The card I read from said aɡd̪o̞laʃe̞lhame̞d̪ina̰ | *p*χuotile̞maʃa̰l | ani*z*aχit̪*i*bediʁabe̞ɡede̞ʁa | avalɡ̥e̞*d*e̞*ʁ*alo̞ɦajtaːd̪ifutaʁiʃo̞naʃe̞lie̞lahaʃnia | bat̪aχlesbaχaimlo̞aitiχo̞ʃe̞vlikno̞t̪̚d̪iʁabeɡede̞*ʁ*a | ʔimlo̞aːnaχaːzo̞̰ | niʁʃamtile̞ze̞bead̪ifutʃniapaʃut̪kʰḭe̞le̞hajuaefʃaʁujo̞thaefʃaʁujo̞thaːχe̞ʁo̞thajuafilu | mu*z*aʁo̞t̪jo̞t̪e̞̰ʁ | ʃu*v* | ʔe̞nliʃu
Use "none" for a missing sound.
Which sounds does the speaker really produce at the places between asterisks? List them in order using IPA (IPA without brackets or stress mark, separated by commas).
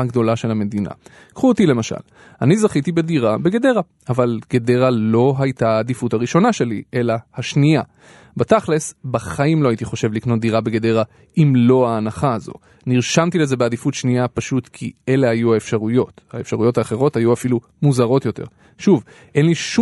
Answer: k, z, i, d, ʁ, ʁ, z, v